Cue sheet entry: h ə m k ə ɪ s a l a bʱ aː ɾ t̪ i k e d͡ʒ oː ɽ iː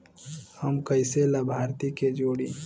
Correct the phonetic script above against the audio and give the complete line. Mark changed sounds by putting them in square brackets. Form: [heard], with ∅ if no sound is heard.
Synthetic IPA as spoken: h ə m k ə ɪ s [e] l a bʱ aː ɾ t̪ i k e d͡ʒ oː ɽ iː